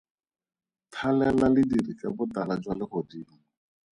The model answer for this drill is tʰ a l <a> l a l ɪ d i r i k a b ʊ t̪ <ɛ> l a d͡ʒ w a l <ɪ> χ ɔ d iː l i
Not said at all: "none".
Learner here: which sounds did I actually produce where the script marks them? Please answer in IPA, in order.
ɛ, a, ɪ

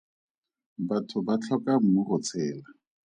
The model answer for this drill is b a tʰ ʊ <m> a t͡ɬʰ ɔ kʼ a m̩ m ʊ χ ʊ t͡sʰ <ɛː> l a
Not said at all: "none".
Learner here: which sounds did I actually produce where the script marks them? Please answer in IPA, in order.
b, ɛː

